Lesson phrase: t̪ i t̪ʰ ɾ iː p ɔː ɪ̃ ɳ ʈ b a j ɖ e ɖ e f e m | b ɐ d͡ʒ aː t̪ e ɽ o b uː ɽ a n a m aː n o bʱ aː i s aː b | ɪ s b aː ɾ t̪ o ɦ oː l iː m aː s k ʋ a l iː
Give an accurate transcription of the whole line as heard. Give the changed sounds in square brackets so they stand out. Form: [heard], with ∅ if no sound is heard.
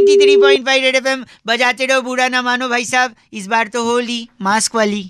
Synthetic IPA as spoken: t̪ i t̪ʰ ɾ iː p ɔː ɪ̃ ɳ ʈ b a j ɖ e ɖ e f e m | b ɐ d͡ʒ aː t̪ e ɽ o b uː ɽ a n a m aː n o bʱ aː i s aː b | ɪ s b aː ɾ t̪ o ɦ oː l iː m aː s k ʋ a l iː